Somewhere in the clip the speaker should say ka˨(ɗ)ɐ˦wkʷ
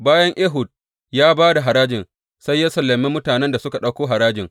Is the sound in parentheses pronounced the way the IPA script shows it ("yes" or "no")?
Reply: yes